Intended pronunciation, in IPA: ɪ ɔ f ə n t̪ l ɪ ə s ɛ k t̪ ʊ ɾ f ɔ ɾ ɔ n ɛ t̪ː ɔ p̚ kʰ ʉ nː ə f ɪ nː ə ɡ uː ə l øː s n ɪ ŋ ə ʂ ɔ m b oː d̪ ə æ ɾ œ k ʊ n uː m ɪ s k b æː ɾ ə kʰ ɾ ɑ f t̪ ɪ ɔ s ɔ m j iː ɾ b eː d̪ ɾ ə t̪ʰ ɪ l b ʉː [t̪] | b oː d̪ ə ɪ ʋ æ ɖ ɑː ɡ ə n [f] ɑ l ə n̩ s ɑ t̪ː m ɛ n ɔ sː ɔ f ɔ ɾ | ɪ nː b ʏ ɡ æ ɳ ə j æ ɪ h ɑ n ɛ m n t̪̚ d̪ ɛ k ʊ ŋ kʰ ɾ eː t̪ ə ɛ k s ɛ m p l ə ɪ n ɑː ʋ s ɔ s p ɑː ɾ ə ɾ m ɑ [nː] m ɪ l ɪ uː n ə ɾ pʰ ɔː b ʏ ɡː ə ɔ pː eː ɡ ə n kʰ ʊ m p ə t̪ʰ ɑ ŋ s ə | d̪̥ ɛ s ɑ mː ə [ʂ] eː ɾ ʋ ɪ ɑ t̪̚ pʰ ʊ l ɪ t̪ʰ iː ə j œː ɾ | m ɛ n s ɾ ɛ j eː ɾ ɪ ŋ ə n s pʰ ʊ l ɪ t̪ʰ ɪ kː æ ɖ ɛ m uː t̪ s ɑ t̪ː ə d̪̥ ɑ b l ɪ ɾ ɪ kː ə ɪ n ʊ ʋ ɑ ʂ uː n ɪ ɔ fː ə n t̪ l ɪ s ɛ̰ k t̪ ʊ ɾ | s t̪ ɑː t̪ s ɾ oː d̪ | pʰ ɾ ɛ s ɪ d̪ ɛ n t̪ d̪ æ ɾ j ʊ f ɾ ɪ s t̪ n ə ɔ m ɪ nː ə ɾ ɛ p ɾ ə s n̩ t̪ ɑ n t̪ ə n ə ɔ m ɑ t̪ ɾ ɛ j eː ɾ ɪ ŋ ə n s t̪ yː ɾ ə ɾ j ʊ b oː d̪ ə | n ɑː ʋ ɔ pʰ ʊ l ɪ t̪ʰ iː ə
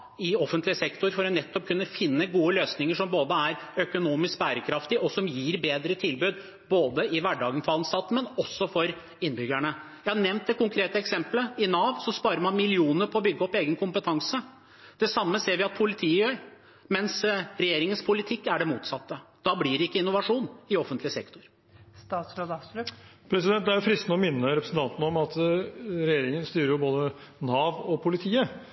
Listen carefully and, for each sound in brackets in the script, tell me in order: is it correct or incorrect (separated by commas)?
incorrect, correct, incorrect, incorrect